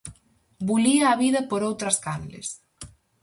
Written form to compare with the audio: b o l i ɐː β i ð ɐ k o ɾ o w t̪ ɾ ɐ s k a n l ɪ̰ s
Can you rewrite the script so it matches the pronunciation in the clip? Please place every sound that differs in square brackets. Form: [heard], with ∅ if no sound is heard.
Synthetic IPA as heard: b [u] l i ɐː β i ð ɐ [p] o ɾ o w t̪ ɾ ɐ s k a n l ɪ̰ s